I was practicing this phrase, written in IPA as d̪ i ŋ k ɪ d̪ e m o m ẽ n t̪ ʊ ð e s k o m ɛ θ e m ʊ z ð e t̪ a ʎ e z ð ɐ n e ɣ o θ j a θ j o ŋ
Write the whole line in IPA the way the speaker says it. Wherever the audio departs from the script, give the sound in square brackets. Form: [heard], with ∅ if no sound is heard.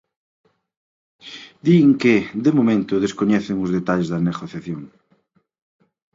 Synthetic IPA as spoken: d̪ i ŋ k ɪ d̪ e m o m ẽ n t̪ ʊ ð e s k o [ɲ] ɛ θ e [ŋ] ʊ z ð e t̪ a ʎ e z ð ɐ n e ɣ o θ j a θ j o ŋ